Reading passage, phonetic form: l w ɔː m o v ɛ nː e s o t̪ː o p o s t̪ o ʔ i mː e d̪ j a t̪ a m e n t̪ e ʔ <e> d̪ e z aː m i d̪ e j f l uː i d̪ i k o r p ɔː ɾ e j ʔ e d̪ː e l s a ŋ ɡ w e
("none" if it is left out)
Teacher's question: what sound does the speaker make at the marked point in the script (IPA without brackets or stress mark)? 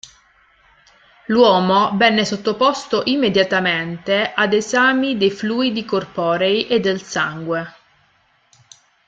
a